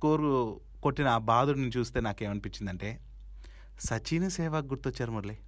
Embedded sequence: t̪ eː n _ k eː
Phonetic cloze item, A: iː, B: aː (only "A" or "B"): B